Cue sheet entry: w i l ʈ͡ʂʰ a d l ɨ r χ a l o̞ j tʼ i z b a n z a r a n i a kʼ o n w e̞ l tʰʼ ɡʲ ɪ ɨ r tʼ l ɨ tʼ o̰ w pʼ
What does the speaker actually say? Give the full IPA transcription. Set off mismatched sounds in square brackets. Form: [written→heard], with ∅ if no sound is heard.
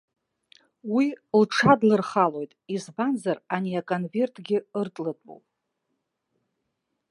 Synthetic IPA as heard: w i l ʈ͡ʂʰ a d l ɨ r χ a l o̞ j tʼ i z b a n z a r a n i a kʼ o n [w→v] e̞ [l→r] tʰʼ ɡʲ ɪ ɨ r tʼ l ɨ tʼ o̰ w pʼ